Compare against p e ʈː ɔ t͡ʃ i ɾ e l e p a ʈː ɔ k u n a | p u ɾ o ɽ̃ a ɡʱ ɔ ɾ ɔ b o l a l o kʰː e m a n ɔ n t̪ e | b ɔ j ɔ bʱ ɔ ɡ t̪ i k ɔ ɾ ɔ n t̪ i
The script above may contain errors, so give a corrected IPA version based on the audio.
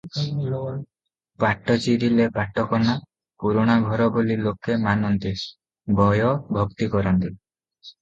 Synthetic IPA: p a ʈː ɔ t͡ʃ i ɾ i l e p a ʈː ɔ k ɔ n a | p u ɾ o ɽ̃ a ɡʱ ɔ ɾ ɔ b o l i l o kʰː e m a n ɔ n t̪ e | b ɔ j ɔ bʱ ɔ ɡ t̪ i k ɔ ɾ ɔ n t̪ i